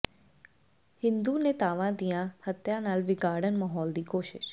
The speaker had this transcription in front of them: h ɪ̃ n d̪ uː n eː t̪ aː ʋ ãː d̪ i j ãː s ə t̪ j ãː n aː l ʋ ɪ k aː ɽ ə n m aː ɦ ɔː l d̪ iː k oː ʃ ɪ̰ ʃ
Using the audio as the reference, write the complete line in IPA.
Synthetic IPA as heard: h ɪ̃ n d̪ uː n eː t̪ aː ʋ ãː d̪ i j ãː h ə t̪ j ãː n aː l ʋ ɪ ɡ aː ɽ ə n m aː ɦ ɔː l d̪ iː k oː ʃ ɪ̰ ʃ